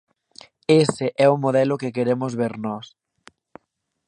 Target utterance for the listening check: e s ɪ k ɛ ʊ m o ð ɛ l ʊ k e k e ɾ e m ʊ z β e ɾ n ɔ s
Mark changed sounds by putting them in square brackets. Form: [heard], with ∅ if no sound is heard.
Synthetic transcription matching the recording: e s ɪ [ʔ] ɛ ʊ m o ð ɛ l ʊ k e k e ɾ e m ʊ z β e ɾ n ɔ s